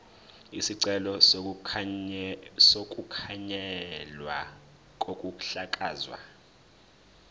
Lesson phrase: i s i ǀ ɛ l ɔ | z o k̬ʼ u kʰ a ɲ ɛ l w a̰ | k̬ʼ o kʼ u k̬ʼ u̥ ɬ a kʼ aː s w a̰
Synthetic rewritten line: i s i ǀ ɛ l ɔ | s o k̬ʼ u kʰ a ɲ ɛ l w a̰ | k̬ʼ o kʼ u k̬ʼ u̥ ɬ a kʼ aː z w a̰